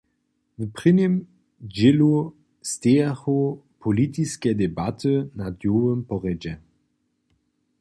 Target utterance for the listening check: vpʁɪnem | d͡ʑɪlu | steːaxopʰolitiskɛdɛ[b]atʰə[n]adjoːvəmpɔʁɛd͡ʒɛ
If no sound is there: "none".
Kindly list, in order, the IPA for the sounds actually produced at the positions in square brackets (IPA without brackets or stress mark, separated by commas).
b, n